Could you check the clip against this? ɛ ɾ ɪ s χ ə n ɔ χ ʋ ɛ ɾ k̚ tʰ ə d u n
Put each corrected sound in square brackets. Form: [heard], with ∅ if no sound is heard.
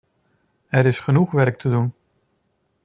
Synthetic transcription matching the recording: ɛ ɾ ɪ s χ ə n [u] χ ʋ ɛ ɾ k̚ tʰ ə d u n